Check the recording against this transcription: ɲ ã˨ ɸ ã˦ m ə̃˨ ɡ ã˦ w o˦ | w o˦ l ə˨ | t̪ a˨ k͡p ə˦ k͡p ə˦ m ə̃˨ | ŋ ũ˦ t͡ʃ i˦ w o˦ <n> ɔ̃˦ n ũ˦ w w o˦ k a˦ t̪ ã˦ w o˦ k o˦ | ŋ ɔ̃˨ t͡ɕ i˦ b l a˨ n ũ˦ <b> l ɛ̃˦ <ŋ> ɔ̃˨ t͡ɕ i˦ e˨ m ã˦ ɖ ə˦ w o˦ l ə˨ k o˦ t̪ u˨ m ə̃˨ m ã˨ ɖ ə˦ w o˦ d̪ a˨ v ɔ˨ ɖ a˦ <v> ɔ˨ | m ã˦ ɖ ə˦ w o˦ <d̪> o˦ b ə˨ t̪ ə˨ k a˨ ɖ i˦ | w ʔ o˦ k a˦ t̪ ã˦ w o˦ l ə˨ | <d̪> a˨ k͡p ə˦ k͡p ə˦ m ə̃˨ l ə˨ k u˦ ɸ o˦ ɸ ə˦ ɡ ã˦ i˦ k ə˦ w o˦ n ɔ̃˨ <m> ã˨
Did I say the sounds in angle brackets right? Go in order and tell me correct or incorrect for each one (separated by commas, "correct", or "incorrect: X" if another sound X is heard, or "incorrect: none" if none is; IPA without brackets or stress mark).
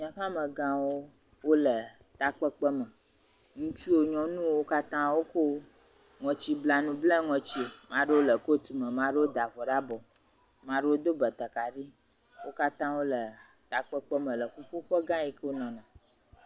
incorrect: ɲ, correct, correct, incorrect: b, correct, incorrect: t̪, incorrect: n